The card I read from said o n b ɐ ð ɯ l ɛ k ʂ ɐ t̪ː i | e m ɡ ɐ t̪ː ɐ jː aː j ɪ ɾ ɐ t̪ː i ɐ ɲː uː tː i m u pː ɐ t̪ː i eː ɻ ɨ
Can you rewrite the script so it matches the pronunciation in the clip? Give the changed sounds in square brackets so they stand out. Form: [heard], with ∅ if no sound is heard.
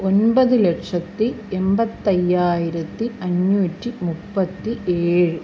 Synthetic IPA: o n b ɐ ð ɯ l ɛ k ʂ ɐ t̪ː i | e m [b] ɐ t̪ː ɐ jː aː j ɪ ɾ ɐ t̪ː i ɐ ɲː uː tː i m u pː ɐ t̪ː i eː ɻ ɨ